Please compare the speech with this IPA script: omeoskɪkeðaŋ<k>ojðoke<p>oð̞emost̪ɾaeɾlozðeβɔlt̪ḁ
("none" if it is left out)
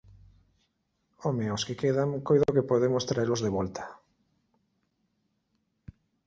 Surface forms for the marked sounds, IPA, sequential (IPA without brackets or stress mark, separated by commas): k, p